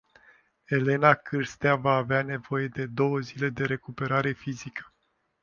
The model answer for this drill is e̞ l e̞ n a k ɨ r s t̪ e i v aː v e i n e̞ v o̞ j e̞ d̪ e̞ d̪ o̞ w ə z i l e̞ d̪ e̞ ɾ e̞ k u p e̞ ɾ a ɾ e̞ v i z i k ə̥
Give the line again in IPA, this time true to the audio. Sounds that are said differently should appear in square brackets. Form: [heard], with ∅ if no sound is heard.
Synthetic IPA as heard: e̞ l e̞ n a k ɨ r s t̪ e [a] v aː v e [a] n e̞ v o̞ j e̞ d̪ e̞ d̪ o̞ w ə z i l e̞ d̪ e̞ ɾ e̞ k u p e̞ ɾ a ɾ e̞ [f] i z i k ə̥

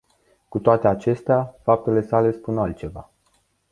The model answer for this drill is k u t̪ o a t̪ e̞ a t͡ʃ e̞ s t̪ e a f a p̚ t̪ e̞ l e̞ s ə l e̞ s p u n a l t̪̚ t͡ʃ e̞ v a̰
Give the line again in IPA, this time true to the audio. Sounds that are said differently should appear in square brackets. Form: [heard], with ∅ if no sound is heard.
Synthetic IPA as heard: k u t̪ o a t̪ e̞ a t͡ʃ e̞ s t̪ e a f a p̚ t̪ e̞ l e̞ s [a] l e̞ s p u n a l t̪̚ t͡ʃ e̞ v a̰

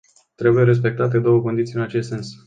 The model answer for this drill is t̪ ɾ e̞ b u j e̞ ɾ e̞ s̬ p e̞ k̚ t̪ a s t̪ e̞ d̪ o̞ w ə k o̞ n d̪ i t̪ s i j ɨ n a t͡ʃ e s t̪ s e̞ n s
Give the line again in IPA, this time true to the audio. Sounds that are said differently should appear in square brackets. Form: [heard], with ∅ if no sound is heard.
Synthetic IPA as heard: t̪ ɾ e̞ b u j e̞ ɾ e̞ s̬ p e̞ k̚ t̪ a [∅] t̪ e̞ d̪ o̞ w ə k o̞ n d̪ i t̪ s i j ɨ n a t͡ʃ e s t̪ s e̞ n s

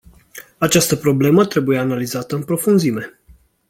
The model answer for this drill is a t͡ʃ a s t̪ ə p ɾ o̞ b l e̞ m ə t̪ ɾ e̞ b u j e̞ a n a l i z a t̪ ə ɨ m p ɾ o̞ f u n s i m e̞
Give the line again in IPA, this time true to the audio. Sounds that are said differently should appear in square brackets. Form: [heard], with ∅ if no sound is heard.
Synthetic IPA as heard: a t͡ʃ a s t̪ ə p ɾ o̞ b l e̞ m ə t̪ ɾ e̞ b u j e̞ a n a l i z a t̪ ə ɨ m p ɾ o̞ f u n [z] i m e̞

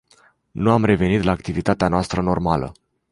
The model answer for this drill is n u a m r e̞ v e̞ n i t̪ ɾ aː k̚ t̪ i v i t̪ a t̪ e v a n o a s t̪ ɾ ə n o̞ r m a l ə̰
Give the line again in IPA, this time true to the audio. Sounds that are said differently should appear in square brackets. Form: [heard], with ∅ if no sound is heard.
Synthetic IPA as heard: n u a m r e̞ v e̞ n i t̪ [l] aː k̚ t̪ i v i t̪ a t̪ e [∅] a n o a s t̪ ɾ ə n o̞ r m a l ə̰

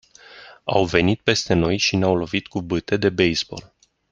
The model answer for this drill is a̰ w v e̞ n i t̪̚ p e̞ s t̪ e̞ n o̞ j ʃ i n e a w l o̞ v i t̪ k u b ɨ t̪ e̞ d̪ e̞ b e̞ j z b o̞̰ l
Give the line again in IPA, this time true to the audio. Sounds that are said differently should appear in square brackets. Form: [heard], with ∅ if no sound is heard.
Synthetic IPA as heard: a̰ w v e̞ n i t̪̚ p e̞ s t̪ e̞ n o̞ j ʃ i n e a w l o̞ v i t̪ k u b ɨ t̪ e̞ d̪ e̞ b e̞ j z b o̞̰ l

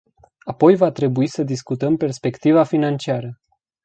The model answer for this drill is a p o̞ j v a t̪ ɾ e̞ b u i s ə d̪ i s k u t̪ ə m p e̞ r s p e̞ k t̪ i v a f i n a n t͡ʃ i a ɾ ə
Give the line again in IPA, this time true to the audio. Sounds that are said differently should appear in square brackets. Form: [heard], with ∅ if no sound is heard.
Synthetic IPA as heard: a p o̞ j v a t̪ ɾ e̞ b u i s ə d̪ i s k u t̪ ə m p e̞ r s p e̞ k t̪ i v a f i n a n t͡ʃ i a ɾ ə

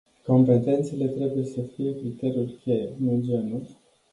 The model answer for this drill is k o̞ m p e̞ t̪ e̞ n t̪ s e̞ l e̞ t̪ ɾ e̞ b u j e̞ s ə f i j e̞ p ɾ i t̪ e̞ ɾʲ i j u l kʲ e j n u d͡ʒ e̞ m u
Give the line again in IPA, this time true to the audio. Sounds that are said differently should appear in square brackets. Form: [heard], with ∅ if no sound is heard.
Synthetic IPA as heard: k o̞ m p e̞ t̪ e̞ n t̪ s e̞ l e̞ t̪ ɾ e̞ b u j e̞ s ə f i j e̞ [k] ɾ i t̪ e̞ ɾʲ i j u l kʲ e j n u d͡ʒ e̞ [n] u

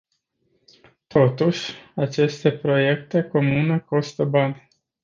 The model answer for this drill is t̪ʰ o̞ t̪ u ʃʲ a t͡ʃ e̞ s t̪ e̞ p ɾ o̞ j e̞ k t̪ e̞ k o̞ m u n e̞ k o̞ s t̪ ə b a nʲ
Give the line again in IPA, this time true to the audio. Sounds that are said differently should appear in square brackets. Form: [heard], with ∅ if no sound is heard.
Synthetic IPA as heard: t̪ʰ o̞ t̪ u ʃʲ a t͡ʃ e̞ s t̪ e̞ p ɾ o̞ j e̞ k t̪ e̞ k o̞ m u n e̞ k o̞ s t̪ ə b a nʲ

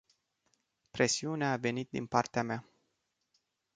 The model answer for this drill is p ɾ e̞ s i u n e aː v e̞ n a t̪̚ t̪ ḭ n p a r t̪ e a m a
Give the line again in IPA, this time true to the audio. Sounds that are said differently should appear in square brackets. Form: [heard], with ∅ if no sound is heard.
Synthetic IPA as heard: p ɾ e̞ s i u n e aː v e̞ n [i] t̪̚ [d̪] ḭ n p a r t̪ e a m a

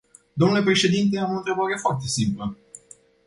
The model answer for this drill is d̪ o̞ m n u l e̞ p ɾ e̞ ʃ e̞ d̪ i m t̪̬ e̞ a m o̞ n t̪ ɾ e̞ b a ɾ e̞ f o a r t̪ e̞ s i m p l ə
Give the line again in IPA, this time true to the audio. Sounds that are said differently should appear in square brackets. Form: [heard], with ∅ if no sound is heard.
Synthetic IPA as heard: d̪ o̞ m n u l e̞ p ɾ e̞ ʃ e̞ d̪ i [n] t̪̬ e̞ a m o̞ n t̪ ɾ e̞ b a ɾ e̞ f o a r t̪ e̞ s i m p l ə

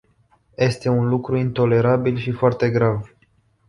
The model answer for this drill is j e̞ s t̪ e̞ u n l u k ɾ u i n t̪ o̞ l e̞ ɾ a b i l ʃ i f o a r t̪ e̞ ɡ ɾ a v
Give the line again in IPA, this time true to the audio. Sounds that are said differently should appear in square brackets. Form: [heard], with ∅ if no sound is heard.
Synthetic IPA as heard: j e̞ s t̪ e̞ u n l u k ɾ u i n t̪ o̞ l e̞ ɾ a b i l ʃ i f o a r t̪ e̞ ɡ ɾ a v

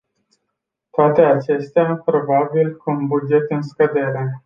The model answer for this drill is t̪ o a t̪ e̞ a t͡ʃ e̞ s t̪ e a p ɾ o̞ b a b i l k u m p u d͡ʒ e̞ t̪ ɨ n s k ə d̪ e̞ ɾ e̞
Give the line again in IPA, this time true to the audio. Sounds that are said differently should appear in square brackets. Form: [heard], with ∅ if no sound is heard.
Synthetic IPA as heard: t̪ o a t̪ e̞ a t͡ʃ e̞ s t̪ e a p ɾ o̞ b a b i l k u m [b] u d͡ʒ e̞ t̪ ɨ n s k ə d̪ e̞ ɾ e̞

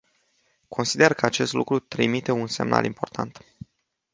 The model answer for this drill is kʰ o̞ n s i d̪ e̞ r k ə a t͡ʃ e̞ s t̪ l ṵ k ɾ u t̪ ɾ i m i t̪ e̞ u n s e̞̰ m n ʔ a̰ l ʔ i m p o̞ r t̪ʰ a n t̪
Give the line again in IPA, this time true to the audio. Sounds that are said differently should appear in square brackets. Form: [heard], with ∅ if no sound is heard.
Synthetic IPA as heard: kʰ o̞ n s i d̪ e̞ r k ə a t͡ʃ e̞ s t̪ l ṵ k ɾ u t̪ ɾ i m i t̪ e̞ u n s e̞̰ m n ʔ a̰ l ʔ i m p o̞ r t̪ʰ a n t̪

